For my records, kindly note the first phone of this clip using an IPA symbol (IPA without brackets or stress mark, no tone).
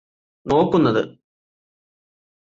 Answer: n